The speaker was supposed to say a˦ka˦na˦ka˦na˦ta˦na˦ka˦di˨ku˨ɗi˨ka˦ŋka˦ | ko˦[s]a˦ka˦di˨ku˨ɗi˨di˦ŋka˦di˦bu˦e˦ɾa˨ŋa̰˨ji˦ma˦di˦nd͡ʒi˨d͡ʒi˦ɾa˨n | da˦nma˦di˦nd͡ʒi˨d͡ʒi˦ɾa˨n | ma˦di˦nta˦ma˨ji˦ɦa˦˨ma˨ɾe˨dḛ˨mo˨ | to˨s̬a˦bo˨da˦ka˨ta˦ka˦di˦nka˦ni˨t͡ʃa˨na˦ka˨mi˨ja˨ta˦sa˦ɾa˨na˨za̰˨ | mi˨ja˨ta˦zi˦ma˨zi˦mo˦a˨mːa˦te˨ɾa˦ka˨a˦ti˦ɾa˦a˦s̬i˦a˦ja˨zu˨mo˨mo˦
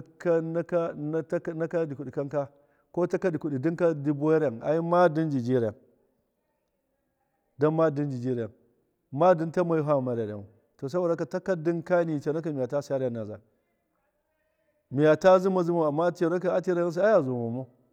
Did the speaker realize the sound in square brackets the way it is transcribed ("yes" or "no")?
no